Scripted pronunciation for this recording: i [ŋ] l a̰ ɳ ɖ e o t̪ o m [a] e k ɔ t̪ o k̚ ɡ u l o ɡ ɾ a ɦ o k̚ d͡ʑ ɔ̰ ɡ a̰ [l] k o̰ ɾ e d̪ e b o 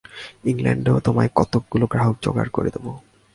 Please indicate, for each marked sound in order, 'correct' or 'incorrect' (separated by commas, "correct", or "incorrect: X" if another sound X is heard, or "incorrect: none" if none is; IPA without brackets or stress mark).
correct, correct, incorrect: ɾ